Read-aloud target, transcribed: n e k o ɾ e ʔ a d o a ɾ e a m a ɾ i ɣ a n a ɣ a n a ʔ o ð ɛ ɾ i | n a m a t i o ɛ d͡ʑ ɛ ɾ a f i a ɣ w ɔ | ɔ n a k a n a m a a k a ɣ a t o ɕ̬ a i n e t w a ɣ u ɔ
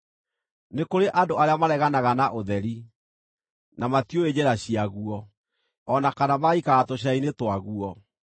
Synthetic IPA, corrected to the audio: n e k o ɾ e ʔ a d o a ɾ e a m a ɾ ɛ ɣ a n a ɣ a n a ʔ o ð ɛ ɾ i | n a m a t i o e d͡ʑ ɛ ɾ a ɕ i a ɣ u ɔ | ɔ n a k a n a m a i k a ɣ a t o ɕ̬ a i n e t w a ɣ u ɔ